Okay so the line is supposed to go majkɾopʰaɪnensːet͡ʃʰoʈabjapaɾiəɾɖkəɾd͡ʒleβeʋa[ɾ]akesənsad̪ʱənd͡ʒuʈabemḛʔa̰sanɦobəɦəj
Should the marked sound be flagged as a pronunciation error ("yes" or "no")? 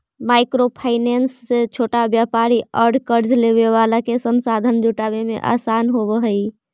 yes